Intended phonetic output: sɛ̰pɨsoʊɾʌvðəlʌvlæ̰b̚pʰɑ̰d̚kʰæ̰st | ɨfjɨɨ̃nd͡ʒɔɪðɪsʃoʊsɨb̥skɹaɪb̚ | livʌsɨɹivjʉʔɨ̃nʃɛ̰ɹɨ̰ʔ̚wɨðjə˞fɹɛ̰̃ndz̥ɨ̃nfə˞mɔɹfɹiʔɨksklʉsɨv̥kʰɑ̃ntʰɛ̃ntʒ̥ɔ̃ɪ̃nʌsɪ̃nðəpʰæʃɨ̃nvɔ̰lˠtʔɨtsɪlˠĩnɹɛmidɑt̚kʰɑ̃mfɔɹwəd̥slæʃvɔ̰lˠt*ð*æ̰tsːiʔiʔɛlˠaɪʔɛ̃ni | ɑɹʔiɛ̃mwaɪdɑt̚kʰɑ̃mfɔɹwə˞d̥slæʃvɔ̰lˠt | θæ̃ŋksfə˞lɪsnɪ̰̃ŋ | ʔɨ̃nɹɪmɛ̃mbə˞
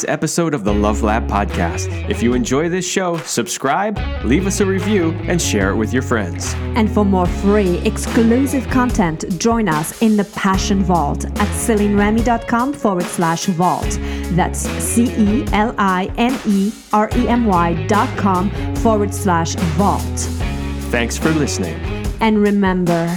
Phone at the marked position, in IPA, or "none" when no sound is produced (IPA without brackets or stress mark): ð